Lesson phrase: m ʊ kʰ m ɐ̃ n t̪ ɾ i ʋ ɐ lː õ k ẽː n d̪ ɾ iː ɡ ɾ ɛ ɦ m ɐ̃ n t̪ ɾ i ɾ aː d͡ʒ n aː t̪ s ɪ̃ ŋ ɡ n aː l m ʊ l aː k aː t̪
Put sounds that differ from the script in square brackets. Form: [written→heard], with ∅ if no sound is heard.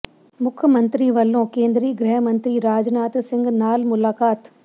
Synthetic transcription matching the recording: m ʊ kʰ m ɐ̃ n t̪ ɾ i ʋ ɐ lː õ k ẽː n d̪ ɾ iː ɡ ɾ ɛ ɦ m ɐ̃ n t̪ ɾ i ɾ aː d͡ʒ n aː t̪ s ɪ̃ ŋ ɡ n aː l m ʊ l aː k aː t̪